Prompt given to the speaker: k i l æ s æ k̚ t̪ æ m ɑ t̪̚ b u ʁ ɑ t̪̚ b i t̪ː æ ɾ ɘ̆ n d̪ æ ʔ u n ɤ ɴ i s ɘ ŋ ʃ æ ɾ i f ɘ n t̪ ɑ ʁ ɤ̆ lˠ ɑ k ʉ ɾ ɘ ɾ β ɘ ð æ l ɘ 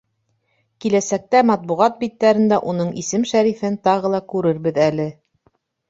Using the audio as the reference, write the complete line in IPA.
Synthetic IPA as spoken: k i l æ s æ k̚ t̪ æ m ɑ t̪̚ b u ʁ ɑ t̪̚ b i t̪ː æ ɾ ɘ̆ n d̪ æ ʔ u n ɤ ɴ i s ɘ m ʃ æ ɾ i f ɘ n t̪ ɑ ʁ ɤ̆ lˠ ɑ k ʉ ɾ ɘ ɾ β ɘ ð æ l ɘ